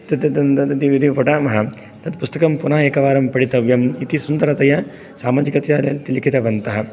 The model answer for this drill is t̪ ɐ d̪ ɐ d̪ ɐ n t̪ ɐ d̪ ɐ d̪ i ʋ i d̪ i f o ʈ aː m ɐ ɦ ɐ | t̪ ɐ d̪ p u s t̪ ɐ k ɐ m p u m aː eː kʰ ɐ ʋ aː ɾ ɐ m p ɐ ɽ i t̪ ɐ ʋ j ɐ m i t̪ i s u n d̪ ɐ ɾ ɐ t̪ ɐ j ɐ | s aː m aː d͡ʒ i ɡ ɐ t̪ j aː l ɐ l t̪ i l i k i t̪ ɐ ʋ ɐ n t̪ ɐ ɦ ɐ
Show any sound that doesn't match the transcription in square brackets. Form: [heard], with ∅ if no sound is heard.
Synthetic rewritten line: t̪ ɐ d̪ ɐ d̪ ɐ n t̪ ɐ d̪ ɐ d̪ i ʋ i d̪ i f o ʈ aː m ɐ ɦ ɐ | t̪ ɐ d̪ p u s t̪ ɐ k ɐ m p u [n] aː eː [k] ɐ ʋ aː ɾ ɐ m p ɐ ɽ i t̪ ɐ ʋ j ɐ m i t̪ i s u n d̪ ɐ ɾ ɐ t̪ ɐ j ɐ | s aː m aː d͡ʒ i [k] ɐ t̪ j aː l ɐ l t̪ i l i k i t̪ ɐ ʋ ɐ n t̪ ɐ ɦ ɐ

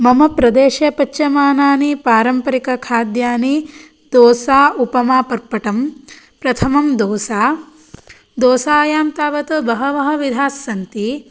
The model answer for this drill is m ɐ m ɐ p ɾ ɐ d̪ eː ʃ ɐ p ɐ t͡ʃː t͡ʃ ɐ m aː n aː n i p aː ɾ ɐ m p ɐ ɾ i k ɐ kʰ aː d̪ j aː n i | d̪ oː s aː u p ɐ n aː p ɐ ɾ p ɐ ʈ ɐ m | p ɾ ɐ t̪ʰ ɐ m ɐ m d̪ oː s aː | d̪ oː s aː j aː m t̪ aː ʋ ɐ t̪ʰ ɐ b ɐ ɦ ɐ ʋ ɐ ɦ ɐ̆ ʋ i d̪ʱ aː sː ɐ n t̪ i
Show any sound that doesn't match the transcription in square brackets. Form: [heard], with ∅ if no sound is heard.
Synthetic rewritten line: m ɐ m ɐ p ɾ ɐ d̪ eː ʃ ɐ p ɐ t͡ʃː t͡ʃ ɐ m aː n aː n i p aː ɾ ɐ m p ɐ ɾ i k ɐ kʰ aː d̪ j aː n i | d̪ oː s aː u p ɐ [m] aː p ɐ ɾ p ɐ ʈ ɐ m | p ɾ ɐ t̪ʰ ɐ m ɐ m d̪ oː s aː | d̪ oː s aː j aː m t̪ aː ʋ ɐ [t̪] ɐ b ɐ ɦ ɐ ʋ ɐ ɦ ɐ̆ ʋ i d̪ʱ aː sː ɐ n t̪ i

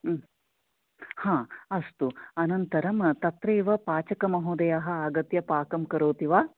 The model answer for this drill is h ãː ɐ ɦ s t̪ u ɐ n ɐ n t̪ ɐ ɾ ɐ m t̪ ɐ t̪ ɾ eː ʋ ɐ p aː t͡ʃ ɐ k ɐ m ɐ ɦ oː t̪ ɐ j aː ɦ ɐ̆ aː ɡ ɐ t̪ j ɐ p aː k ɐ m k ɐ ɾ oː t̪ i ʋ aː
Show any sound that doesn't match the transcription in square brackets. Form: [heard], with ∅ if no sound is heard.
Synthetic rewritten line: h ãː ɐ [∅] s t̪ u ɐ n ɐ n t̪ ɐ ɾ ɐ m t̪ ɐ t̪ ɾ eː ʋ ɐ p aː t͡ʃ ɐ k ɐ m ɐ ɦ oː [d̪] ɐ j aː ɦ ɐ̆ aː ɡ ɐ t̪ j ɐ p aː k ɐ m k ɐ ɾ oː t̪ i ʋ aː

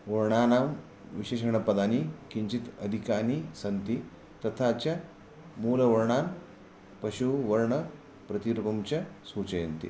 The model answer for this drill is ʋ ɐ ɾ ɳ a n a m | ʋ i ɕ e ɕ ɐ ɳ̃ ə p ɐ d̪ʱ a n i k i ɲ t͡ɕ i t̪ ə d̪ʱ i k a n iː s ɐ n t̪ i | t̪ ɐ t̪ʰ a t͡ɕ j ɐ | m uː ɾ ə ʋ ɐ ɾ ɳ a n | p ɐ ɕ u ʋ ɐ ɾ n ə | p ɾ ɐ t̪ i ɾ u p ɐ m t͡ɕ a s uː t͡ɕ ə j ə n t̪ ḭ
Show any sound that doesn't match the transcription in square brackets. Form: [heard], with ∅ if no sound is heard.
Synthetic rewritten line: ʋ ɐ ɾ ɳ a n a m | ʋ i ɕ e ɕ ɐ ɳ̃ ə p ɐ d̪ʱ a n i k i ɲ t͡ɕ i t̪ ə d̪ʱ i k a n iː s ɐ n t̪ i | t̪ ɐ t̪ʰ a t͡ɕ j [a] | m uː [l] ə ʋ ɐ ɾ ɳ a n | p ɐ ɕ u ʋ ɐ ɾ [ɳ] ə | p ɾ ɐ t̪ i ɾ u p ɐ m t͡ɕ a s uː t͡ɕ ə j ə n t̪ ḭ

